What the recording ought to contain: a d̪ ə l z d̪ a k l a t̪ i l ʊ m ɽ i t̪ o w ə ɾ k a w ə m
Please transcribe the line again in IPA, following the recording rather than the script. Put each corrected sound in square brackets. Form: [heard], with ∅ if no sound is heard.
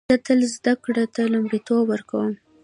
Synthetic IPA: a [t̪] ə l z d̪ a k [ɽ] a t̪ [a] l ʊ m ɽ i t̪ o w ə ɾ k a w ə m